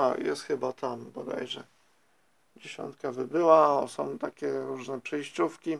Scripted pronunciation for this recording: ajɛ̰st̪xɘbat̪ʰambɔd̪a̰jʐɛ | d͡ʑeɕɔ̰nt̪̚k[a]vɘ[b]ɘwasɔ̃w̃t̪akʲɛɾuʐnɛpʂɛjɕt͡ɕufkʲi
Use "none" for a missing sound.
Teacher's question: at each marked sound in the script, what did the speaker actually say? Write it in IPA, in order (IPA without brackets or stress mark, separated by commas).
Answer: a, b